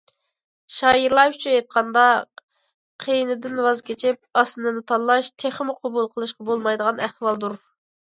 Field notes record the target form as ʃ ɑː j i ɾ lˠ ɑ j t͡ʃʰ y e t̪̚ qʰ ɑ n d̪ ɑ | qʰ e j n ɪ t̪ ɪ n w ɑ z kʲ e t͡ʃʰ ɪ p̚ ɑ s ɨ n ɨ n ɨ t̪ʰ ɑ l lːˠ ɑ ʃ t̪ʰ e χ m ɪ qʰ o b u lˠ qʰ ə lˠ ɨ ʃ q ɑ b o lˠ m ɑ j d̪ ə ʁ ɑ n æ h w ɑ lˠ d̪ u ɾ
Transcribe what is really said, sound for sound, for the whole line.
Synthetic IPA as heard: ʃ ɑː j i ɾ lˠ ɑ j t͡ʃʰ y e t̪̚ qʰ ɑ n d̪ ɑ | qʰ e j n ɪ d̪ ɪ n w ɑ z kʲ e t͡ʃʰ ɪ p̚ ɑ s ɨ n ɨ n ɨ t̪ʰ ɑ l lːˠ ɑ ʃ t̪ʰ e χ m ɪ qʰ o b u lˠ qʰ ə lˠ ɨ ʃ q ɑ b o lˠ m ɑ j d̪ ə ʁ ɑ n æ h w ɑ lˠ d̪ u ɾ